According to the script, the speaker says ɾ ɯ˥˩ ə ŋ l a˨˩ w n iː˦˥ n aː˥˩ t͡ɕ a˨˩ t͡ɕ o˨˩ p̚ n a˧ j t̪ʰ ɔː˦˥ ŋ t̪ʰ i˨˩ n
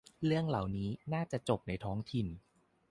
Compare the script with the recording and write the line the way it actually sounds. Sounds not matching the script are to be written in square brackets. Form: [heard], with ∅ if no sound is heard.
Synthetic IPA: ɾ ɯ˥˩ ə ŋ l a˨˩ w n iː˦˥ n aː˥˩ t͡ɕ a˨˩ t͡ɕ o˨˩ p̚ n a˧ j t̪ʰ ɔː˦˥ ŋ t̪ʰ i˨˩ n